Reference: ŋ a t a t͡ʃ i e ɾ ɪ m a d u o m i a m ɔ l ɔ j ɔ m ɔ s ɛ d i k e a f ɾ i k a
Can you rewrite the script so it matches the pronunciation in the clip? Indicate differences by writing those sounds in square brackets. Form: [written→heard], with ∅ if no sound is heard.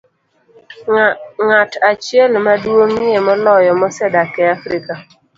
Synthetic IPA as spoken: ŋ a t a t͡ʃ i e [ɾ→l] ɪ m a d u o m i [a→e] m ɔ l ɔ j ɔ m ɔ s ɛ d [i→a] k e a f ɾ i k a